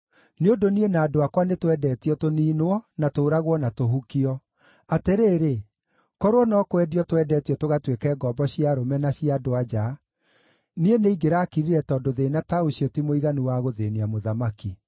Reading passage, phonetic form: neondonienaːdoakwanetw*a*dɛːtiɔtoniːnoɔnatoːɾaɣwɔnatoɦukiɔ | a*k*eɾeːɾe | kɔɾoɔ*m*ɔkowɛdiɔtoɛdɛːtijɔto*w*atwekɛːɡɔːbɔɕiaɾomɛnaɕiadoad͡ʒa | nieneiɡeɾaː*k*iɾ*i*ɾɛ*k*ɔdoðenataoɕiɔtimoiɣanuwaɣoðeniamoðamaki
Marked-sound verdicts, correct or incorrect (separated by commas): incorrect, incorrect, incorrect, incorrect, correct, correct, incorrect